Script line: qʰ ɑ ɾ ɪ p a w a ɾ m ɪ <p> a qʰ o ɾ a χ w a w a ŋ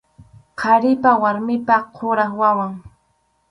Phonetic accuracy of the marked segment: correct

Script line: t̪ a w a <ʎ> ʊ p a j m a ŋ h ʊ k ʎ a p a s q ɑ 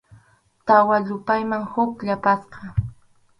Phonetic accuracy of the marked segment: correct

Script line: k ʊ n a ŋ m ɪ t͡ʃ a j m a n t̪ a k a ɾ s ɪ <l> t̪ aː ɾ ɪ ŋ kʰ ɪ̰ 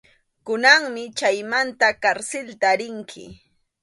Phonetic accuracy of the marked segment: correct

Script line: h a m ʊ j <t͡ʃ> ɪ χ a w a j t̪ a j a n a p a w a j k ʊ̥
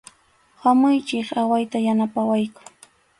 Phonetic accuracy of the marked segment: correct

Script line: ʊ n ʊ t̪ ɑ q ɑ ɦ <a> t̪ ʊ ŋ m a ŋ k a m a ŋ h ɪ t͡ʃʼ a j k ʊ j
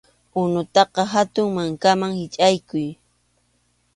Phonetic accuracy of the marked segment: correct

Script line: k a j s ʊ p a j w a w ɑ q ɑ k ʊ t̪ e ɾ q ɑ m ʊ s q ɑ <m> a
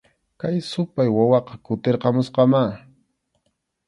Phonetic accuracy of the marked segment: correct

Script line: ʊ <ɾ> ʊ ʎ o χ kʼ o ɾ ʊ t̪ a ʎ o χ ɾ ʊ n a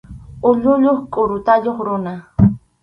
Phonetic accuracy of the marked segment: incorrect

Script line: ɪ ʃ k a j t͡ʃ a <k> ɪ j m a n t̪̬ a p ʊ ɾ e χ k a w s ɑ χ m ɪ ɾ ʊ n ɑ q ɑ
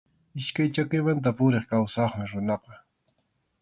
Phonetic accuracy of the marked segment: correct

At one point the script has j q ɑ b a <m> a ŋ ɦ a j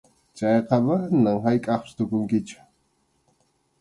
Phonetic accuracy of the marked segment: incorrect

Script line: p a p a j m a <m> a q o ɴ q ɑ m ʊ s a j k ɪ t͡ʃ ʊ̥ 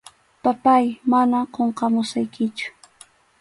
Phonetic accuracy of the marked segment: incorrect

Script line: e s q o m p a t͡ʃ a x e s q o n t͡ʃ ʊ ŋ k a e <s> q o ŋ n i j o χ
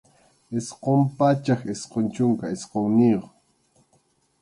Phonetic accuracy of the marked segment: correct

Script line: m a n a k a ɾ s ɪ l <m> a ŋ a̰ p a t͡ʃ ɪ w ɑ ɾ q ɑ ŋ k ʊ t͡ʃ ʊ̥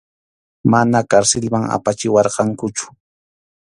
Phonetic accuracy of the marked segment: correct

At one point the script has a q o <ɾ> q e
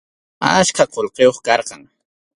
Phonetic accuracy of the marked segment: incorrect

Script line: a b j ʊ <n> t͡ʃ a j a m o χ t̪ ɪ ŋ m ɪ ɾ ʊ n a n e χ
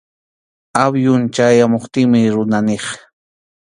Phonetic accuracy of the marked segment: correct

